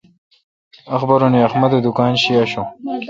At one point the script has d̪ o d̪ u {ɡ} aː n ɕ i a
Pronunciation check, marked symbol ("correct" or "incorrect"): incorrect